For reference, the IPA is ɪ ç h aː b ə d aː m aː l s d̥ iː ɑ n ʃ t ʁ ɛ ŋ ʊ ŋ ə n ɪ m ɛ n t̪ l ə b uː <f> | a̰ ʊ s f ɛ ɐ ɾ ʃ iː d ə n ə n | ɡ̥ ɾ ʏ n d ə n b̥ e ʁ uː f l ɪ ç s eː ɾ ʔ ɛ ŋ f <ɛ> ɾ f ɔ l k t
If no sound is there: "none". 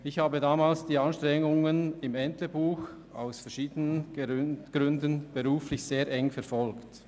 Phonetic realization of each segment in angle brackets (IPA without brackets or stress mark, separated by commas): x, ɛ